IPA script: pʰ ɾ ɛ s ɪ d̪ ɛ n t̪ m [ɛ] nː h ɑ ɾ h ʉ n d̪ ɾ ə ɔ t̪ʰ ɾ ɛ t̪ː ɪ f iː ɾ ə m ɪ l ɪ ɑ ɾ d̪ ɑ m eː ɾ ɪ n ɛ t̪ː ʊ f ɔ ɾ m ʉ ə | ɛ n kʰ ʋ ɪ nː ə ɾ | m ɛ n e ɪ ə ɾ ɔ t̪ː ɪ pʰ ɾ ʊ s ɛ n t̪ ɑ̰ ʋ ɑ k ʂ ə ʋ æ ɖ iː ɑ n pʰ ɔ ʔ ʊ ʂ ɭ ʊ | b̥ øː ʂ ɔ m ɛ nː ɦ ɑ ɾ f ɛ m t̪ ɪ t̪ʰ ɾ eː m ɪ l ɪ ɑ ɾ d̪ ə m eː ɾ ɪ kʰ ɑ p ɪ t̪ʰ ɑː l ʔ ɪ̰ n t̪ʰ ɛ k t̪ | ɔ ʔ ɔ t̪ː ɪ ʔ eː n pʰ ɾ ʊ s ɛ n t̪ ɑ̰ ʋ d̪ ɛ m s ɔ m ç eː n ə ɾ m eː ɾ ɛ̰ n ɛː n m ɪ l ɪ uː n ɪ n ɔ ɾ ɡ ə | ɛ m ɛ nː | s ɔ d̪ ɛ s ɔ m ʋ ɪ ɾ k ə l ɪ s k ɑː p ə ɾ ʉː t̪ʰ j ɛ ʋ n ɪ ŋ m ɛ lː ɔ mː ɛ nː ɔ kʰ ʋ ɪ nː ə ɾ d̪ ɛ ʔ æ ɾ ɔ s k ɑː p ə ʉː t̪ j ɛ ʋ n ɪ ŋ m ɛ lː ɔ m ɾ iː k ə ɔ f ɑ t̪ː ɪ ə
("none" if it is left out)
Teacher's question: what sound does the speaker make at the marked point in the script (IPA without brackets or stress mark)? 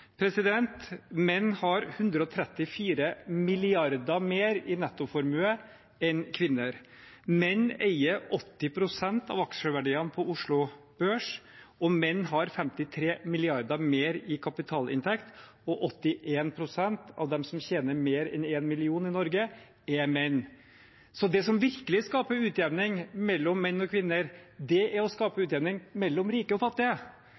ɛ